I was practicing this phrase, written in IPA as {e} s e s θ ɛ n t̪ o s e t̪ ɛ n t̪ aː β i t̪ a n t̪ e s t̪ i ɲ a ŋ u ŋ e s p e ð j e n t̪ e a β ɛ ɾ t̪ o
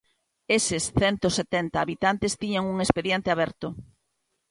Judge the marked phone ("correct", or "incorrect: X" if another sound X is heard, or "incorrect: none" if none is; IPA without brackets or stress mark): correct